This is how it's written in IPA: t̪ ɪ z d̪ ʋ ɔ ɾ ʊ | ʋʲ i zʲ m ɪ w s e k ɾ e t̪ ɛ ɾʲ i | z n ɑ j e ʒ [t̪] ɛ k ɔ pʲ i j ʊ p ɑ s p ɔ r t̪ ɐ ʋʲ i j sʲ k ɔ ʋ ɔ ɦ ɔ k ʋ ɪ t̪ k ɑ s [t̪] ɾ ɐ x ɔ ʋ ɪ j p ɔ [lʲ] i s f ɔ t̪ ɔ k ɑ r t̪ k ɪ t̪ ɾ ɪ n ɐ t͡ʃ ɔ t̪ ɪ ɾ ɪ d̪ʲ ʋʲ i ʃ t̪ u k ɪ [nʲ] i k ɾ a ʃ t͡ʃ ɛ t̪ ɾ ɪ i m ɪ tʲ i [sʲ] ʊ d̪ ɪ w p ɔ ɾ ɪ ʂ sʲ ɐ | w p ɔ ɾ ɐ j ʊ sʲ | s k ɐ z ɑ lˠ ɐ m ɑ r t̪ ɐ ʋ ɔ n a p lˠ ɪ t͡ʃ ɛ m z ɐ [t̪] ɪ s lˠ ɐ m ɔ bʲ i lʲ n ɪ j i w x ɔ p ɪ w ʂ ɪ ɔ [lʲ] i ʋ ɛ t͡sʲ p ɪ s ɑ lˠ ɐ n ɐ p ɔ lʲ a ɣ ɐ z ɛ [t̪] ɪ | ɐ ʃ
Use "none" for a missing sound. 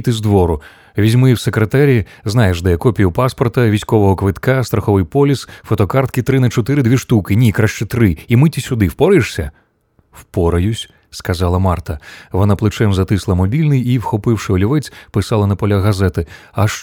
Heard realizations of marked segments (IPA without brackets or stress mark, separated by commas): d̪, t̪, lʲ, nʲ, sʲ, t̪, lʲ, t̪